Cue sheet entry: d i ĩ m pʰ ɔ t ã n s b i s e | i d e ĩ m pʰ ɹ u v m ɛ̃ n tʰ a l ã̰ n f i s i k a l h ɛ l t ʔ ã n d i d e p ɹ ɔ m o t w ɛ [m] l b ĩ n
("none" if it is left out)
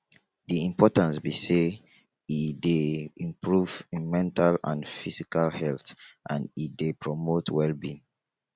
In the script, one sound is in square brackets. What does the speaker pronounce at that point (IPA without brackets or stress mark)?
none